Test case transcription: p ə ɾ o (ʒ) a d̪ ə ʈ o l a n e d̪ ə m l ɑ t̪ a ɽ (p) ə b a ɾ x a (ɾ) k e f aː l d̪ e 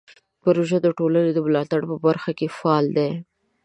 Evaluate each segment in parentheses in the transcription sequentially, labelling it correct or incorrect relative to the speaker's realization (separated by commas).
correct, correct, incorrect